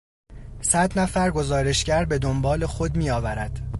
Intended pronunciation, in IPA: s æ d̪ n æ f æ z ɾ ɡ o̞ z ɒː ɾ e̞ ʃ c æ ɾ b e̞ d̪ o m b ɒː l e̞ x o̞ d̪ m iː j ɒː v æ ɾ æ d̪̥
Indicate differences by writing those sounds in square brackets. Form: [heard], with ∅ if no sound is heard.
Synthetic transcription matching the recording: s æ d̪ n æ f æ [∅] ɾ ɡ o̞ z ɒː ɾ e̞ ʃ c æ ɾ b e̞ d̪ o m b ɒː l e̞ x o̞ d̪ m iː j ɒː v æ ɾ æ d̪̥